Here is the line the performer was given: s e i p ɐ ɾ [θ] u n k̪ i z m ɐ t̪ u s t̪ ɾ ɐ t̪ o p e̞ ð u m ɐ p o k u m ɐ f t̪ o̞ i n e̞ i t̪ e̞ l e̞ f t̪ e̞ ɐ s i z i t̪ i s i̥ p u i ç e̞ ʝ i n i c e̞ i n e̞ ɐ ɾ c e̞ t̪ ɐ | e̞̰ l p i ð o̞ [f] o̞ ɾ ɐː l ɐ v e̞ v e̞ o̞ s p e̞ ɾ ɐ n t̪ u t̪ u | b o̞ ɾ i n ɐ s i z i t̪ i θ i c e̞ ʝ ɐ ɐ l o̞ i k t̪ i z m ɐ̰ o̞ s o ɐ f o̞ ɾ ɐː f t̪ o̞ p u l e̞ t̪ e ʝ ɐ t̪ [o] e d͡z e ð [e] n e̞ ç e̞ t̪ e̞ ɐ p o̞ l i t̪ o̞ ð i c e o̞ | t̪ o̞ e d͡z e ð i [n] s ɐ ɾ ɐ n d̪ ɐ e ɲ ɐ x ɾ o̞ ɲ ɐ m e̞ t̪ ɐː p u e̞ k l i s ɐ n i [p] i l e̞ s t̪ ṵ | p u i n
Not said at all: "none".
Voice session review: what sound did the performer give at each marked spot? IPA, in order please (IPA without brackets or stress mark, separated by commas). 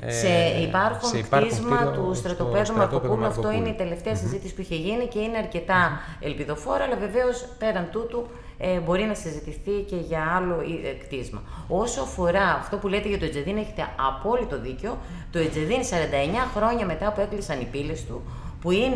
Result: x, f, o, i, n, p